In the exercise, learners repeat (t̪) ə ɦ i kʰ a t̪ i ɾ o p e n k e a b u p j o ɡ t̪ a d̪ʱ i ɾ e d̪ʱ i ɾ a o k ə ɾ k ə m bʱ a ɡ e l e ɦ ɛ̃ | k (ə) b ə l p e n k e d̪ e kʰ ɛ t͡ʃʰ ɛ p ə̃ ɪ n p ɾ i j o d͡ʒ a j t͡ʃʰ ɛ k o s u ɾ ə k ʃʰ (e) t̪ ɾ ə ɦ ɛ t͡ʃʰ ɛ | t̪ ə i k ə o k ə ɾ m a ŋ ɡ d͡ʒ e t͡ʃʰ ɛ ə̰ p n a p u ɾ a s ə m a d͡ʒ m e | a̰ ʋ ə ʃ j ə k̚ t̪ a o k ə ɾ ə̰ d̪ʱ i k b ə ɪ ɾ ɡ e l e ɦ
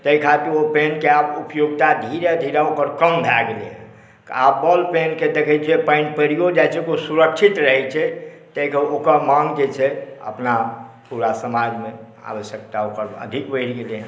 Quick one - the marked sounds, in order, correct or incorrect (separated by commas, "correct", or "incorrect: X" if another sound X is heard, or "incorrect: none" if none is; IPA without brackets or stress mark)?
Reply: correct, incorrect: a, incorrect: i